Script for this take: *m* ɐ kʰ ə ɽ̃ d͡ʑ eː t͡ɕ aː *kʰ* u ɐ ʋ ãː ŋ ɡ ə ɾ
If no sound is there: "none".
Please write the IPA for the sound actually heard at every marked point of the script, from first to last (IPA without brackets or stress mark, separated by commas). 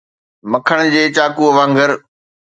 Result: m, k